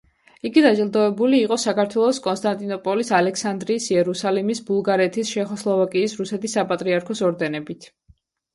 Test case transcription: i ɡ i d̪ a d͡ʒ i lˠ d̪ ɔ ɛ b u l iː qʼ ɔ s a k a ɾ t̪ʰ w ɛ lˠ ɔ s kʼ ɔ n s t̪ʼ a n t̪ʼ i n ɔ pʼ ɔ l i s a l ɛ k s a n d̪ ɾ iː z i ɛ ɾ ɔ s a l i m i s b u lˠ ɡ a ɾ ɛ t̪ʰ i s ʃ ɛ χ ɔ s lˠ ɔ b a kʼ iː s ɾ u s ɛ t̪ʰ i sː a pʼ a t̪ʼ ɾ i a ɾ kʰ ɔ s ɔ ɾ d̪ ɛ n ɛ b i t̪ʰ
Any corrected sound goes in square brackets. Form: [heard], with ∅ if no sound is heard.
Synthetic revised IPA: i ɡ i d̪ a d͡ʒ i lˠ d̪ ɔ ɛ b u l iː qʼ ɔ s a k a ɾ t̪ʰ w ɛ lˠ ɔ s kʼ ɔ n s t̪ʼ a n t̪ʼ i n ɔ pʼ ɔ l i s a l ɛ k s a n d̪ ɾ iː [s] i ɛ ɾ [u] s a l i m i s b u lˠ ɡ a ɾ ɛ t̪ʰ i s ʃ ɛ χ ɔ s lˠ ɔ [v] a kʼ iː s ɾ u s ɛ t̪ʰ i sː a pʼ a t̪ʼ ɾ i a ɾ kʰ ɔ s ɔ ɾ d̪ ɛ n ɛ b i t̪ʰ